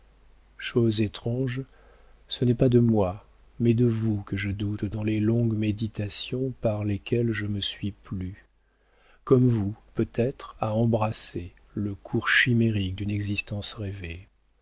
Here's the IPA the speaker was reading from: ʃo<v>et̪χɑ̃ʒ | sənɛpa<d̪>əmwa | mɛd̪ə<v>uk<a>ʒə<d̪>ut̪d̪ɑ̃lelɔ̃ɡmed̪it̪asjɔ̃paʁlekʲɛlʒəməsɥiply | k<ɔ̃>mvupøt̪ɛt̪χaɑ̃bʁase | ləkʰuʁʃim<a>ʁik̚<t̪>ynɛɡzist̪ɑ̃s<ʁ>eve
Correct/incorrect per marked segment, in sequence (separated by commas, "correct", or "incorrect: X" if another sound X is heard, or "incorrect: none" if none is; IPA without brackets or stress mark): incorrect: z, correct, correct, incorrect: ə, correct, incorrect: ɔ, incorrect: e, incorrect: d̪, correct